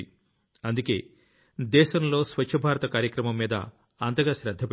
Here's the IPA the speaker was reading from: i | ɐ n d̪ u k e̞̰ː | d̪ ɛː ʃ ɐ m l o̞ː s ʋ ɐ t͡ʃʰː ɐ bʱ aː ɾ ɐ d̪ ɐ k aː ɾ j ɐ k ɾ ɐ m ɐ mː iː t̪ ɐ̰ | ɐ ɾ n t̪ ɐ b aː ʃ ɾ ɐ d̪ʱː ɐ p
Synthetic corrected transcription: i | ɐ n d̪ u k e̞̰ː | d̪ ɛː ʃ ɐ m l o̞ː s ʋ ɐ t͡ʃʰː ɐ bʱ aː ɾ ɐ t̪ ɐ k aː ɾ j ɐ k ɾ ɐ m ɐ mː iː d̪ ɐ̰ | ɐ n t̪ ɐ ɡ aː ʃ ɾ ɐ d̪ʱː ɐ p